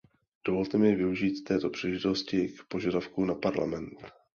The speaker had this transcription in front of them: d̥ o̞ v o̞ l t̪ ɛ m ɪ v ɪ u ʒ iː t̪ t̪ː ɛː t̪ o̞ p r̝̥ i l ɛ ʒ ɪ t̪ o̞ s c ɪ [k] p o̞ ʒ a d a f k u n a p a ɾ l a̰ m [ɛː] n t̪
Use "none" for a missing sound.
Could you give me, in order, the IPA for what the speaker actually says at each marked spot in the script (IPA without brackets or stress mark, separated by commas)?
k, ɛ